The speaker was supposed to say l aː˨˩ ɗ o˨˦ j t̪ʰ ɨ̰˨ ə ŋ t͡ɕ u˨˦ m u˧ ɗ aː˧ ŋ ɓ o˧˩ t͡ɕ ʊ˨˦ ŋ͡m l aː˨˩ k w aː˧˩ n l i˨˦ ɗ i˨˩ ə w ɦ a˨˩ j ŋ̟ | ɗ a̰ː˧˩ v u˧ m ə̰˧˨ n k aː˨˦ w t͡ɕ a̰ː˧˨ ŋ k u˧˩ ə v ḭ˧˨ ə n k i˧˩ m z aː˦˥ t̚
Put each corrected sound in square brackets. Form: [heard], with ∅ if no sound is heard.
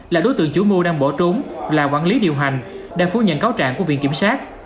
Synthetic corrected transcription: l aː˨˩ ɗ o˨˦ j [t̪] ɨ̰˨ ə ŋ t͡ɕ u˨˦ m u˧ ɗ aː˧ ŋ ɓ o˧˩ t͡ɕ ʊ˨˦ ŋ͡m l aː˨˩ k w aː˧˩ n l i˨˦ ɗ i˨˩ ə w ɦ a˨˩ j ŋ̟ | ɗ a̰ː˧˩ [f] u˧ [ɲ] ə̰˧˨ n k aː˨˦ w t͡ɕ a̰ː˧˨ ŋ k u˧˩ ə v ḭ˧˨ ə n k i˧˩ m [s] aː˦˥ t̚